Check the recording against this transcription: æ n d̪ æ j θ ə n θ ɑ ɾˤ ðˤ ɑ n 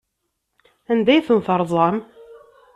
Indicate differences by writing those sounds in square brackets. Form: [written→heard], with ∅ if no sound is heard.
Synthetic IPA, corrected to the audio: æ n d̪ æ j θ ə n θ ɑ ɾˤ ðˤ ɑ [n→m]